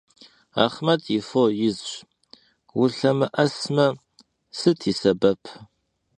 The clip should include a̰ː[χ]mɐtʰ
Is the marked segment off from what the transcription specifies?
no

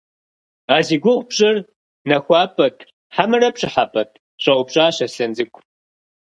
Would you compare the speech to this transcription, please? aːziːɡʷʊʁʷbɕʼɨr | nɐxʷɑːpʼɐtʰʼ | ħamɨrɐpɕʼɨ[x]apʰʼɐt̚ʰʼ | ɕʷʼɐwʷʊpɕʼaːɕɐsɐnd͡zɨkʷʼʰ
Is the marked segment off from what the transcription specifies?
yes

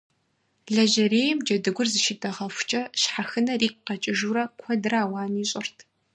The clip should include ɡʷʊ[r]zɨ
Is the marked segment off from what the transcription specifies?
no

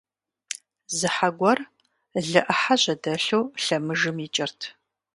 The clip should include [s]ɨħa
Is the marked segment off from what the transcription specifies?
yes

